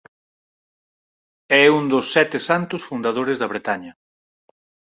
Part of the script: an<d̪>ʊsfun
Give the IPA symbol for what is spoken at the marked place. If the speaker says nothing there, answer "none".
t̪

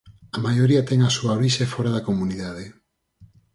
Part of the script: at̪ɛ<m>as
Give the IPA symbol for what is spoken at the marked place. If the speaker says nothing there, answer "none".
ŋ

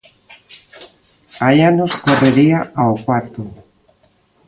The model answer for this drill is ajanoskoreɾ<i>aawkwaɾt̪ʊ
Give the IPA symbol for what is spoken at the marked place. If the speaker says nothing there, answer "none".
i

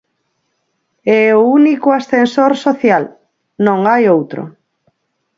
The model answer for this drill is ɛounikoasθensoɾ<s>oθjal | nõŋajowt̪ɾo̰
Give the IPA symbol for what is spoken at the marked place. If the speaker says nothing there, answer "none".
s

